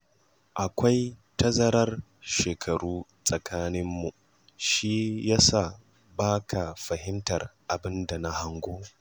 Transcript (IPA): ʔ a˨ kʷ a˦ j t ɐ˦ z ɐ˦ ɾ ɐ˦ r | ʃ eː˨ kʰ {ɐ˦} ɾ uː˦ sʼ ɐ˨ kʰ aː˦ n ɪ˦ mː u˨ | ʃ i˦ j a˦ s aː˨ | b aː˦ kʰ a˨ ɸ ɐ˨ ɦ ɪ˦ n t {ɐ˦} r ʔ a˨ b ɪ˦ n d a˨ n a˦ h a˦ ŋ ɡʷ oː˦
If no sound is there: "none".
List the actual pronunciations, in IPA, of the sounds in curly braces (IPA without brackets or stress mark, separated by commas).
ɐ˨, ɐ˨